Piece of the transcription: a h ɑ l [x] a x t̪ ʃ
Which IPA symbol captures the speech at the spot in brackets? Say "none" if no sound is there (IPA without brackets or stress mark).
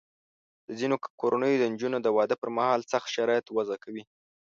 s